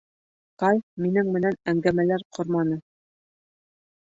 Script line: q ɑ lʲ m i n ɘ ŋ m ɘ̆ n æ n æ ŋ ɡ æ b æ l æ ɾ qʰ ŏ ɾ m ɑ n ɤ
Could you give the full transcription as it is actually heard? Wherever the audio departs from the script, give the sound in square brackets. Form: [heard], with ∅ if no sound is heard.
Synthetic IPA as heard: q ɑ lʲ m i n ɘ ŋ m ɘ̆ n æ n æ ŋ ɡ æ [m] æ l æ ɾ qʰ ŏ ɾ m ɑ n ɤ